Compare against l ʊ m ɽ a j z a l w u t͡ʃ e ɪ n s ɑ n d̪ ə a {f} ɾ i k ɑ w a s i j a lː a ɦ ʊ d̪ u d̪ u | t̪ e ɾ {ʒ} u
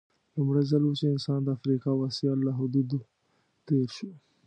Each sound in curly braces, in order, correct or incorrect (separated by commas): correct, incorrect